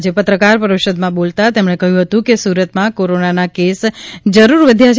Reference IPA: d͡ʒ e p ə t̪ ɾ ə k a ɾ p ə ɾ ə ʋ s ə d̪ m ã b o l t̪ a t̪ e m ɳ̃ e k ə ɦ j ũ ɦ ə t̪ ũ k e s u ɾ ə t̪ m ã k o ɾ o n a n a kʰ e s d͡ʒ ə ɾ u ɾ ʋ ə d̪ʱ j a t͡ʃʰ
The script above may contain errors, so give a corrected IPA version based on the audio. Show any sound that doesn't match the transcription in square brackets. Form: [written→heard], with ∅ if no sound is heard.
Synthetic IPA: d͡ʒ e p ə t̪ ɾ ə k a ɾ p ə ɾ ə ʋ [s→ʃ] ə d̪ m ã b o l t̪ a t̪ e m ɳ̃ e k ə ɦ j ũ ɦ ə t̪ ũ k e s u ɾ ə t̪ m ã k o ɾ o n a n a [kʰ→k] e s d͡ʒ ə ɾ u ɾ ʋ ə d̪ʱ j a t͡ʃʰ